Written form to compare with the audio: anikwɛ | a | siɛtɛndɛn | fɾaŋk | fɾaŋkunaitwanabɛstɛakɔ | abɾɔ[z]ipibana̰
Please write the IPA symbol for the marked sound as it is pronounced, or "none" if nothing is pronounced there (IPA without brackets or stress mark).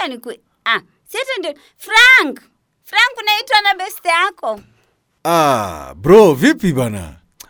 v